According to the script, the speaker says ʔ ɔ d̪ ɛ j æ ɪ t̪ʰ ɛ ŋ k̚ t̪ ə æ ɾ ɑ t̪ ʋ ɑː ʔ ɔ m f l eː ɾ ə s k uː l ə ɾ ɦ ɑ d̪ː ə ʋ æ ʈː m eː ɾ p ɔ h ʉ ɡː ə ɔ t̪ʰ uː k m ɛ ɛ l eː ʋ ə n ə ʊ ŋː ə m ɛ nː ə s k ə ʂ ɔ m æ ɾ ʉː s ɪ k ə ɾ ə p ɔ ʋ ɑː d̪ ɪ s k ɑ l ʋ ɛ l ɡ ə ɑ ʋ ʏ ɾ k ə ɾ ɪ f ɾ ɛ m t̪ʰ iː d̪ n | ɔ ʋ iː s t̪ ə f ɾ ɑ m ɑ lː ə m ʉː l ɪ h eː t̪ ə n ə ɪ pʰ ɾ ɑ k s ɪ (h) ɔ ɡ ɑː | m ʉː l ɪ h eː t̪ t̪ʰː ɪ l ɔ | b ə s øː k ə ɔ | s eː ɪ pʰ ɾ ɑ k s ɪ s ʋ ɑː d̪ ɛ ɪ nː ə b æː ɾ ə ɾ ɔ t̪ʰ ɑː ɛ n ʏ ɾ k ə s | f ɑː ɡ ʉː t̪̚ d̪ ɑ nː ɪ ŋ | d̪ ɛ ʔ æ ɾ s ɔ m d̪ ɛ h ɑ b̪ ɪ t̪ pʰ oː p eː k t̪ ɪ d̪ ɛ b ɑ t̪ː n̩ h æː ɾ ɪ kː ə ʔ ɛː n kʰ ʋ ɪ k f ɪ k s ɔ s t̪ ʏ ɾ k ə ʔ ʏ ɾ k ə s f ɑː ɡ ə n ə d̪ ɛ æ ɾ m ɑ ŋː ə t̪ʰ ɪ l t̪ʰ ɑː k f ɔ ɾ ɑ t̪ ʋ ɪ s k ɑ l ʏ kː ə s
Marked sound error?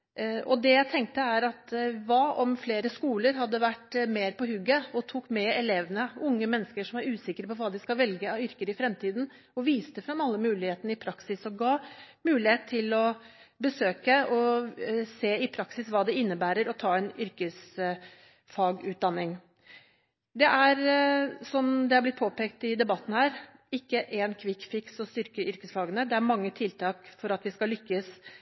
yes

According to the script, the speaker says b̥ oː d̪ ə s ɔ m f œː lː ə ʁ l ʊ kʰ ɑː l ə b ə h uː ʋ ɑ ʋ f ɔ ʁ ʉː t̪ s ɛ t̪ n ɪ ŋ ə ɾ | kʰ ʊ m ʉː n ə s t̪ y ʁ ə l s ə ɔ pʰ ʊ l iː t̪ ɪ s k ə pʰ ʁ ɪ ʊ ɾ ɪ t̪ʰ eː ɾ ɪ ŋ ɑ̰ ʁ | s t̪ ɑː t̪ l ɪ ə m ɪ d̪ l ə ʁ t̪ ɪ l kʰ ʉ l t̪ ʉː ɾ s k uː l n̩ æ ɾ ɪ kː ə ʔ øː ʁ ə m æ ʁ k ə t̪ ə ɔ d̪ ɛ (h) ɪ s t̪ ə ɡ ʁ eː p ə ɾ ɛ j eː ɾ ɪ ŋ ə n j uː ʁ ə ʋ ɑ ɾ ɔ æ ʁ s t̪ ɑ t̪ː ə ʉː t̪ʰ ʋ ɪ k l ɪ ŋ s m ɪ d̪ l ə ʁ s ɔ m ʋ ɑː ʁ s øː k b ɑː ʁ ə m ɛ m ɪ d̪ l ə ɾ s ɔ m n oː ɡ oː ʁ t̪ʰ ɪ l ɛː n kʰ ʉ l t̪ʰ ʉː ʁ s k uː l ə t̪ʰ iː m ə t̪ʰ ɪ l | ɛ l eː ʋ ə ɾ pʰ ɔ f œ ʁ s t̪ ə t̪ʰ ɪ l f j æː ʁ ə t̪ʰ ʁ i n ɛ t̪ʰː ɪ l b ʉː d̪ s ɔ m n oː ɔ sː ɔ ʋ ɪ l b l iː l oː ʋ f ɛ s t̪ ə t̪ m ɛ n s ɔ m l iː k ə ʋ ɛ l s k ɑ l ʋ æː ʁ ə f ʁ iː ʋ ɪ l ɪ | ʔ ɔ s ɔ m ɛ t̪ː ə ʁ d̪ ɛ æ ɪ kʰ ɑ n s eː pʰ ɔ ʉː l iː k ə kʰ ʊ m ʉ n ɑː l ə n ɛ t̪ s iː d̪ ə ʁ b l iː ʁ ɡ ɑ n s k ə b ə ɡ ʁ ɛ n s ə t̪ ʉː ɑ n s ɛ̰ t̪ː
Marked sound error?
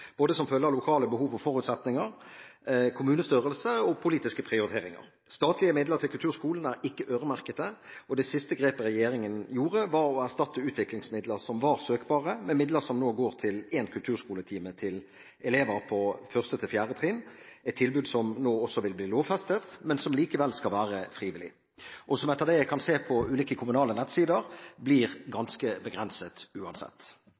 yes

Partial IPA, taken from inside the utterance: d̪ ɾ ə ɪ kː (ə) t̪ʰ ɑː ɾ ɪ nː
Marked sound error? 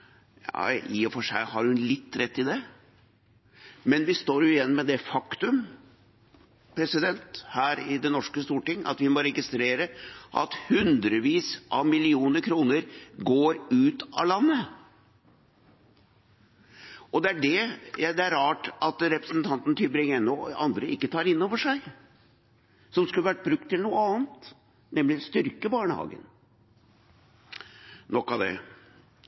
no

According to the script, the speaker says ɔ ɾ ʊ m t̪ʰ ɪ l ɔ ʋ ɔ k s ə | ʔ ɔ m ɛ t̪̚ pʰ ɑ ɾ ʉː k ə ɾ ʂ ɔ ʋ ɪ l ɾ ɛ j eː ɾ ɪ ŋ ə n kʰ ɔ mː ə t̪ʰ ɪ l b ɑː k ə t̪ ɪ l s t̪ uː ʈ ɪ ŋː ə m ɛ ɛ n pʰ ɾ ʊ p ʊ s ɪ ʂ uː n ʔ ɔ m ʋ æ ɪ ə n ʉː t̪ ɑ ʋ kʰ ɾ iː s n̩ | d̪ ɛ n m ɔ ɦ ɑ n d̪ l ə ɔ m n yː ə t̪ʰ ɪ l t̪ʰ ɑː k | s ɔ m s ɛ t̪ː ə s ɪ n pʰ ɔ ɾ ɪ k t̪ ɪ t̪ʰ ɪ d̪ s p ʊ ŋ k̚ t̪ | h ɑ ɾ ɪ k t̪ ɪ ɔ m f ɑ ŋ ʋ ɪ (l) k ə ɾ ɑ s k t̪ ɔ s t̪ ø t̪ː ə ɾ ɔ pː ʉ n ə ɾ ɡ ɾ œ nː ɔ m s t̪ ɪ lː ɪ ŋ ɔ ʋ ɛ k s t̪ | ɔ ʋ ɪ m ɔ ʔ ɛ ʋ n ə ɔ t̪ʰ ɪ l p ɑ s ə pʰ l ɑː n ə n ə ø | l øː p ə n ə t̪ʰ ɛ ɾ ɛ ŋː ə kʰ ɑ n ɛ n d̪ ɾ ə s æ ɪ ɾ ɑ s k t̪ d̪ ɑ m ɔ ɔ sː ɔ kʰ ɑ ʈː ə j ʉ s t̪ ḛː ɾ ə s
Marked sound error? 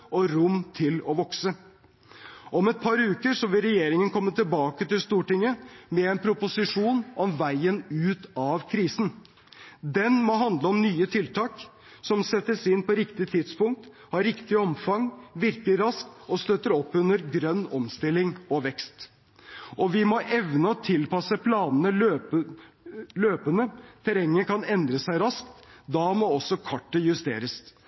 yes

